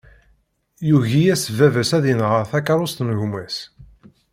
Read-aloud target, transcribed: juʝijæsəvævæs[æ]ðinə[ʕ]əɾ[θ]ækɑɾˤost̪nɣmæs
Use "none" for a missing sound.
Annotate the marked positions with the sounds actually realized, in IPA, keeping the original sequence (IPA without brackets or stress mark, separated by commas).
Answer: æ, ʁ, θ